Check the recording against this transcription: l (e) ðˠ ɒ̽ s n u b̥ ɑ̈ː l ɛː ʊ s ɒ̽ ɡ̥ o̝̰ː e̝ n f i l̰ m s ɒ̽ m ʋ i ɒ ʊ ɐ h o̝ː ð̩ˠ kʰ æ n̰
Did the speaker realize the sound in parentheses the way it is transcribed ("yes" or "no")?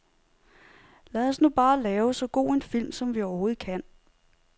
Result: no